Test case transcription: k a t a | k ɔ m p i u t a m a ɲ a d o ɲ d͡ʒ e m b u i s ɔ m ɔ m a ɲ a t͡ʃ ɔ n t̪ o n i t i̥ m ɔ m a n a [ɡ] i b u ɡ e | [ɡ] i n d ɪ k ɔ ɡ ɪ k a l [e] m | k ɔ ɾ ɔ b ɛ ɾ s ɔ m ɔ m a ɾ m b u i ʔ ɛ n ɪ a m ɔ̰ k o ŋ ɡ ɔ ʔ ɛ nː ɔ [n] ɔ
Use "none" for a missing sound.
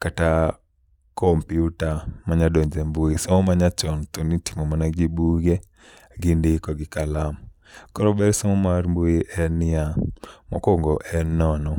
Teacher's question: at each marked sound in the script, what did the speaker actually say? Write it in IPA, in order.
ɡ, ɡ, a, n

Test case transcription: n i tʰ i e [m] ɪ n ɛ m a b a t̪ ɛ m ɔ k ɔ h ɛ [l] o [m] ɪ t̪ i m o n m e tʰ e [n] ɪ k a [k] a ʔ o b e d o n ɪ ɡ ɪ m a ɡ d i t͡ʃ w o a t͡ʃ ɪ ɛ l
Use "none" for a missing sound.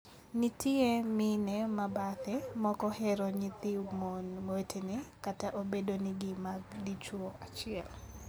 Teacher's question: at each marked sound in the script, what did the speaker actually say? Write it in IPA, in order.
m, ɾ, ɲ, n, t

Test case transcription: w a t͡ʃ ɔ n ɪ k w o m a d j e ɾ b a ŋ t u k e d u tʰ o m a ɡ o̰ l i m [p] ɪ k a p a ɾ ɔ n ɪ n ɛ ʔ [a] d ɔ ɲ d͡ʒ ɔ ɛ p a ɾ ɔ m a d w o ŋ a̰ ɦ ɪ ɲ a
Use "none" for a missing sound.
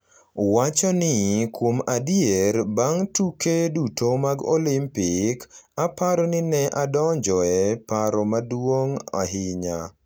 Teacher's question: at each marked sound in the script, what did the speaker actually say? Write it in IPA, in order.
p, a

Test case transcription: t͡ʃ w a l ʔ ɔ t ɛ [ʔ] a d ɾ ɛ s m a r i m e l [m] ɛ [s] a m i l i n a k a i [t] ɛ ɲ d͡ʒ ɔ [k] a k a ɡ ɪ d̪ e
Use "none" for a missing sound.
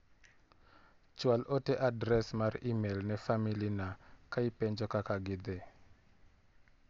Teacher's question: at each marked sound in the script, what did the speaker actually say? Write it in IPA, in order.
ʔ, n, f, p, k

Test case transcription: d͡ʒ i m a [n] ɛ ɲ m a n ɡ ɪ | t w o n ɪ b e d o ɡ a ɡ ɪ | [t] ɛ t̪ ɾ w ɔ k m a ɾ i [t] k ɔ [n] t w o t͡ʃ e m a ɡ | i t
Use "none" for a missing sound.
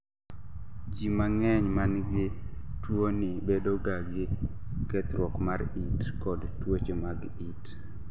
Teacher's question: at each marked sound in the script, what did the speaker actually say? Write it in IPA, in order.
ŋ, k, t, d

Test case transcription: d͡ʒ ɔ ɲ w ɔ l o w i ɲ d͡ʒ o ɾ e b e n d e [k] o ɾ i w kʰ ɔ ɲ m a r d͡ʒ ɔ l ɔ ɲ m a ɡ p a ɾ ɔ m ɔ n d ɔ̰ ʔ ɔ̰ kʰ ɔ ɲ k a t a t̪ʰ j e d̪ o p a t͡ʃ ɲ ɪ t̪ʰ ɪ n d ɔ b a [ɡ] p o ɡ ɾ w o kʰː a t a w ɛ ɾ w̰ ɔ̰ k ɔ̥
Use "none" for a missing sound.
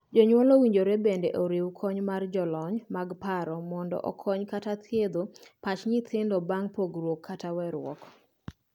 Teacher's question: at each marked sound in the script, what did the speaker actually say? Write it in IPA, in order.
ʔ, ŋ

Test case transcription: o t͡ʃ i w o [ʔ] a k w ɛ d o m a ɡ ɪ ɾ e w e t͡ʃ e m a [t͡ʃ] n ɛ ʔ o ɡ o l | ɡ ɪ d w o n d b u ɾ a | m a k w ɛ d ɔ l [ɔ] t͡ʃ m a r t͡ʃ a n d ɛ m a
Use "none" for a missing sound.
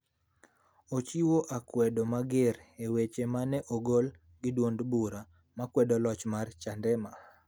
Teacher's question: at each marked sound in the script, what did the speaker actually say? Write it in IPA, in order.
ʔ, none, ɔ

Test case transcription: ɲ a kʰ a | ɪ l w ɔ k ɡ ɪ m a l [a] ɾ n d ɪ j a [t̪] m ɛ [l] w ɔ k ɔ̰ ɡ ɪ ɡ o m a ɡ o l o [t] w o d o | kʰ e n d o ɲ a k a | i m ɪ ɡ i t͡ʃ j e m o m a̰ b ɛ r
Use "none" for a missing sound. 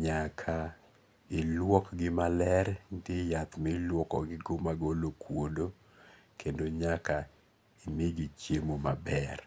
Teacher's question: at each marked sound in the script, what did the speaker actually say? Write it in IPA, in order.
ɛ, t̪, l, k

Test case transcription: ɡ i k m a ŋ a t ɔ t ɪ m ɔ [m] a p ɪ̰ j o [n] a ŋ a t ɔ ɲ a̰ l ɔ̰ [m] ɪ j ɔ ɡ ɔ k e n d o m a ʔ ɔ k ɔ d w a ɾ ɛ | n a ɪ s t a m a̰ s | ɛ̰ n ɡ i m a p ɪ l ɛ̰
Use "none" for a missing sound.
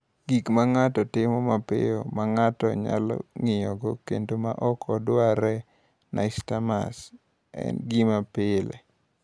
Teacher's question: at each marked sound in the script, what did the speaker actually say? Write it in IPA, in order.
m, m, ŋ

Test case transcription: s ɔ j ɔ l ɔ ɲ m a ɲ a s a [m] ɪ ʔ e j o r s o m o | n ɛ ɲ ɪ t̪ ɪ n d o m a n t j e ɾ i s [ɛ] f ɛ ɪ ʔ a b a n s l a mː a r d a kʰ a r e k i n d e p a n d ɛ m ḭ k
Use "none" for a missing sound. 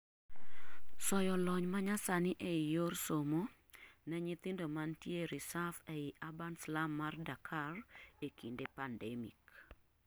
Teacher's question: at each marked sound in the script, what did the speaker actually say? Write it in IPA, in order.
n, a

